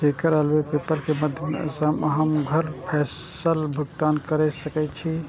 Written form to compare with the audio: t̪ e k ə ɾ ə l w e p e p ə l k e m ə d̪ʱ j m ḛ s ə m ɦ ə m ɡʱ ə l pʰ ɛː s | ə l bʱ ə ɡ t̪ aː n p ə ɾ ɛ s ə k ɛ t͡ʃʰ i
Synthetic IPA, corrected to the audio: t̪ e k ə ɾ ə l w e p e p ə l k e m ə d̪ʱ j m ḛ s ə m ɦ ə m ɡʱ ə ɾ pʰ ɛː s | ə l bʱ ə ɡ t̪ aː n k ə ɾ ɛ s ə k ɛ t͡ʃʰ i